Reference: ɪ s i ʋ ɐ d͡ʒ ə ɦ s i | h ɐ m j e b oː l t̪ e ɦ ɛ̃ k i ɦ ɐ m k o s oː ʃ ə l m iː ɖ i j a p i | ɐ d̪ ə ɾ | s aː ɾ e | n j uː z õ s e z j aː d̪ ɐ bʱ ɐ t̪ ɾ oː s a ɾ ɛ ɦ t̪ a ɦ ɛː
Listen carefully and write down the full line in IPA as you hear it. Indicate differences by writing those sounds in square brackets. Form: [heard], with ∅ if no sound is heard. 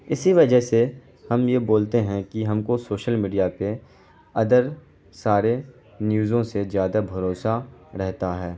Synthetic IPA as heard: ɪ s i ʋ ɐ d͡ʒ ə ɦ s [e] | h ɐ m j e b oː l t̪ e ɦ ɛ̃ k i ɦ ɐ m k o s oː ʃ ə l m iː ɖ i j a p [e] | ɐ d̪ ə ɾ | s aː ɾ e | n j uː z õ s e z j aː d̪ [a] bʱ ɐ [∅] ɾ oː s a ɾ ɛ ɦ t̪ a ɦ ɛː

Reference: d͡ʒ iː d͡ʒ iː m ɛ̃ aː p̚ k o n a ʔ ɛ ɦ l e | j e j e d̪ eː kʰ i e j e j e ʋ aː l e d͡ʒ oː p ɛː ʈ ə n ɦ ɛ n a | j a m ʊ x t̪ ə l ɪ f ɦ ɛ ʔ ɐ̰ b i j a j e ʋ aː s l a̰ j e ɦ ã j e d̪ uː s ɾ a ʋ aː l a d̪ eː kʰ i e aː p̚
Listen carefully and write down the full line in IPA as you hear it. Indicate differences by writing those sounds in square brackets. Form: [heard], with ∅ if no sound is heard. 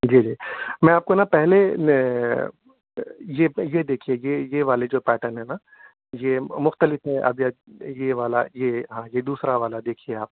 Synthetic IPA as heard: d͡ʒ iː d͡ʒ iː m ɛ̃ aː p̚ k o n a [p] ɛ ɦ l e | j e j e d̪ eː kʰ i e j e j e ʋ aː l e d͡ʒ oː p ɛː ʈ ə n ɦ ɛ n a | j [e] m ʊ x t̪ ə l ɪ f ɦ ɛ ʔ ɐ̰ b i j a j e ʋ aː [∅] l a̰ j e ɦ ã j e d̪ uː s ɾ a ʋ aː l a d̪ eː kʰ i e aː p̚

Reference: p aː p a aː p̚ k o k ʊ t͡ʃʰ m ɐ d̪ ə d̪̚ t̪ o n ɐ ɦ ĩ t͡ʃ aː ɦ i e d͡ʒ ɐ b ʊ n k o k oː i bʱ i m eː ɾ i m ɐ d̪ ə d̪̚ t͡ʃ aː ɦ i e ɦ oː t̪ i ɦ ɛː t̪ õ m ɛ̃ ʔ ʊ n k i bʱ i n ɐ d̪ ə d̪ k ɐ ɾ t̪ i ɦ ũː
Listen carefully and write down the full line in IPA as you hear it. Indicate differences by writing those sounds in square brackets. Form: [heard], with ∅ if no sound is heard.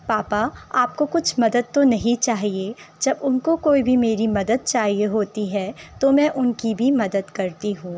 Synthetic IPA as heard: p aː p a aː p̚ k o k ʊ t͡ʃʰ m ɐ d̪ ə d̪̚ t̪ o n ɐ ɦ ĩ t͡ʃ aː ɦ i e d͡ʒ ɐ b ʊ n k o k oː i bʱ i m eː ɾ i m ɐ d̪ ə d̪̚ t͡ʃ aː ɦ i e ɦ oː t̪ i ɦ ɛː t̪ [o] m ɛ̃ ʔ ʊ n k i bʱ i [m] ɐ d̪ ə d̪ k ɐ ɾ t̪ i ɦ ũː

